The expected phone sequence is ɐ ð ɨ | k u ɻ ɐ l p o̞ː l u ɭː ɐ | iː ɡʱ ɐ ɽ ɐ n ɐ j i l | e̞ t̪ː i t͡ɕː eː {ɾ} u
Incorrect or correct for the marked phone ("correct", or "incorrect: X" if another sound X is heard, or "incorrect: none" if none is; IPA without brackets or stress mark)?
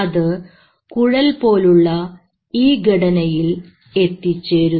correct